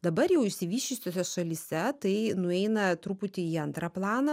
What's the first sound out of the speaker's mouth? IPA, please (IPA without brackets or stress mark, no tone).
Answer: d̪